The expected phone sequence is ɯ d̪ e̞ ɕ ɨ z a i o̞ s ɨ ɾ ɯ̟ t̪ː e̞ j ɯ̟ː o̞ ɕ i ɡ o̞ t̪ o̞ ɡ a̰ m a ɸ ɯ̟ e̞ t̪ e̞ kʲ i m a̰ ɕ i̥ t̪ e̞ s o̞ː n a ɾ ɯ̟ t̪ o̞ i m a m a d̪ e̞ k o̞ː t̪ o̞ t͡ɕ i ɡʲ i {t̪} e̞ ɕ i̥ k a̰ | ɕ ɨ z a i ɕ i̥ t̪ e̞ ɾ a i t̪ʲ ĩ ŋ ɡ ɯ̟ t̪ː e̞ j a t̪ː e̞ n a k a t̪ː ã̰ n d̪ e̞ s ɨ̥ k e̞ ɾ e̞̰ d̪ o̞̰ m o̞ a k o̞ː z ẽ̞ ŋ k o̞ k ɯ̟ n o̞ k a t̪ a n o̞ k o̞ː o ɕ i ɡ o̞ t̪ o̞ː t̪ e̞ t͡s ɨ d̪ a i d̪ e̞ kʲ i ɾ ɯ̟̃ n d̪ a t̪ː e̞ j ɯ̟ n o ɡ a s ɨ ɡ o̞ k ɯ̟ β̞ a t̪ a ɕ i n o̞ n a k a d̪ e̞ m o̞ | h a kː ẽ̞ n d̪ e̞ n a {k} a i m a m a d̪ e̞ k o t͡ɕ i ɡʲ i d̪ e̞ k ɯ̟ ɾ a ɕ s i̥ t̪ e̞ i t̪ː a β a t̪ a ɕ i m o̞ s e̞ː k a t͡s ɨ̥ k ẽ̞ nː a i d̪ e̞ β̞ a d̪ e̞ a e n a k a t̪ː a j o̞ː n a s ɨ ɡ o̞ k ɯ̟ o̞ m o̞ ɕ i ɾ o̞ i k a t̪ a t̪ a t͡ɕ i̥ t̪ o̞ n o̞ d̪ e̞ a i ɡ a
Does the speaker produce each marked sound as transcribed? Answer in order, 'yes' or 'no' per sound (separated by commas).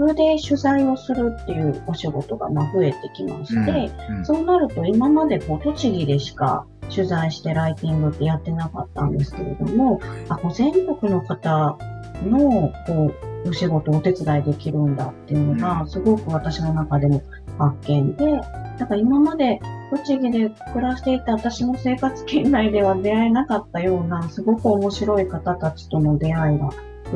no, yes